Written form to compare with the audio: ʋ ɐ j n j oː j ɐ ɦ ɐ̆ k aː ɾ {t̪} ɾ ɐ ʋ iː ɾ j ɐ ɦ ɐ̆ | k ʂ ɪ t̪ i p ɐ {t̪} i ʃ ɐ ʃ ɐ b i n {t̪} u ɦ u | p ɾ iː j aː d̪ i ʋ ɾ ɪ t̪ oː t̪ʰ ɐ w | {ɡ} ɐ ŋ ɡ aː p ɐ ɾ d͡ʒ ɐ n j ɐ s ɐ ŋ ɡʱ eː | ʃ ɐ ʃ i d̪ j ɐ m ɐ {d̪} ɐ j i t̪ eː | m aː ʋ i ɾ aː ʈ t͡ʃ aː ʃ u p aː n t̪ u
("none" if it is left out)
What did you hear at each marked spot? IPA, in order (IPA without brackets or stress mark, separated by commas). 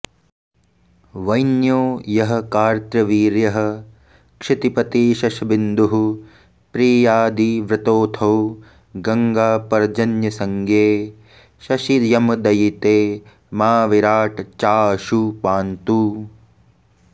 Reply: t̪, t̪, d̪, ɡ, d̪